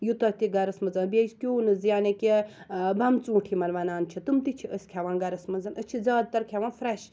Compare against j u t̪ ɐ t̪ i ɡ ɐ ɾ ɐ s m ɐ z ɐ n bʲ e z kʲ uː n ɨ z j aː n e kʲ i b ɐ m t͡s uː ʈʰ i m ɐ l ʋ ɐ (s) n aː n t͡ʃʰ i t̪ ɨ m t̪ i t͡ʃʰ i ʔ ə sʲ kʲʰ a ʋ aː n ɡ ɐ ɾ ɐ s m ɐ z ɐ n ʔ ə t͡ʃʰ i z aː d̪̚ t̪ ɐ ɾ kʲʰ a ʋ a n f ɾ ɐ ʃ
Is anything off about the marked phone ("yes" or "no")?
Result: yes